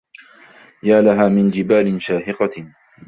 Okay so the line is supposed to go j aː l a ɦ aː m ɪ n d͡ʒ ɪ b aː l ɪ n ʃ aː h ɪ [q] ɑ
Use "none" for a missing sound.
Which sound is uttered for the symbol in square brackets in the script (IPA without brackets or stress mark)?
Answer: q